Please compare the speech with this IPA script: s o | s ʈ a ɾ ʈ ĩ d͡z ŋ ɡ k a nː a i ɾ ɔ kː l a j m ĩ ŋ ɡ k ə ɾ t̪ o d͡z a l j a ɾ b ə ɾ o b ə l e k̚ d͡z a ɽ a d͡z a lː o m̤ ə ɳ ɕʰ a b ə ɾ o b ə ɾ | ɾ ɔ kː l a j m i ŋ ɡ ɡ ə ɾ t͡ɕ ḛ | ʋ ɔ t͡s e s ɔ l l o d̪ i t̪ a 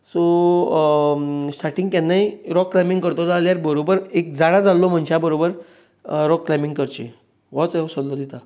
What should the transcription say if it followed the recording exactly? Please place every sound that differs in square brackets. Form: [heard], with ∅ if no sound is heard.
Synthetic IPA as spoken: s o | s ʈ a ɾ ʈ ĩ [∅] ŋ ɡ k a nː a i ɾ ɔ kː l a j m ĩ ŋ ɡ k ə ɾ t̪ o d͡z a l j a ɾ b ə ɾ o b ə [ɾ] e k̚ d͡z a ɽ a d͡z a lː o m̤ ə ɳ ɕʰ a b ə ɾ o b ə ɾ | ɾ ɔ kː l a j m i ŋ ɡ [k] ə ɾ t͡ɕ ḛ | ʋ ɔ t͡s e s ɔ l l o d̪ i t̪ a